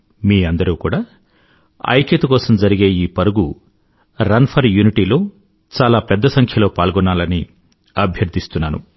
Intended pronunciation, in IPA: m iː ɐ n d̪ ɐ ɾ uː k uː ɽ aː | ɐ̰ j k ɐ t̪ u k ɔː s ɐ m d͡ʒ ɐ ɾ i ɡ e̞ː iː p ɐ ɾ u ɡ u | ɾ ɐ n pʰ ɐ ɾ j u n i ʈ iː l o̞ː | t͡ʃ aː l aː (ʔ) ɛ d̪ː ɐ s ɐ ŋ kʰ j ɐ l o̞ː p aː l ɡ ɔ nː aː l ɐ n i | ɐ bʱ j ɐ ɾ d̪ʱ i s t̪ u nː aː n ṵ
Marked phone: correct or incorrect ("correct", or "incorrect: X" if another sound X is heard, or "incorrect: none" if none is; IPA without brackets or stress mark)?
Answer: incorrect: p